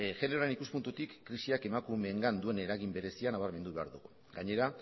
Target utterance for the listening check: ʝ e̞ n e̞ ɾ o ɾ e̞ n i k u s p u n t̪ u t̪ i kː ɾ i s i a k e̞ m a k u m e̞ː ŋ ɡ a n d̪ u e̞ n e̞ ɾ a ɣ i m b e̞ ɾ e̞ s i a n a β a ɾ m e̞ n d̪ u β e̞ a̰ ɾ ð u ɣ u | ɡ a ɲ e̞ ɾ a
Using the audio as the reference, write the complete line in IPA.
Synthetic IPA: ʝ e̞ n e̞ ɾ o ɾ e̞ n i k u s p u n t̪ u t̪ i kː ɾ i s i a k e̞ m a k u m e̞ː ŋ ɡ a n d̪ u e̞ n e̞ ɾ a ɣ i m b e̞ ɾ e̞ s i a n a β a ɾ m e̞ n d̪ u β e̞ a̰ ɾ ð u ɣ u | ɡ a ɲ e̞ ɾ a